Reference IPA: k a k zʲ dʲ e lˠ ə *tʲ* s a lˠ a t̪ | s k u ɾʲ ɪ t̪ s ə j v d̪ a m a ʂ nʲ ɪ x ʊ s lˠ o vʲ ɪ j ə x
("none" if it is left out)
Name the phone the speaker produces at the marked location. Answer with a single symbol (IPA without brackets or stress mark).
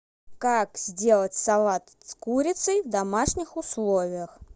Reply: tʲ